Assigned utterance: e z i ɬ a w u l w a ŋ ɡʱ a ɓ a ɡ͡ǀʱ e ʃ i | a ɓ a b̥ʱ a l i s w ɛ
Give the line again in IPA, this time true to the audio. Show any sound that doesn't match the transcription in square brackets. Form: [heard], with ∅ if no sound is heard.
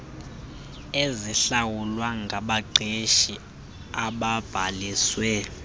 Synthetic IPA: e z i ɬ a w u l w a ŋ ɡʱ a ɓ a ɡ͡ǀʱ e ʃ i | a ɓ a b̥ʱ a l i s w ɛ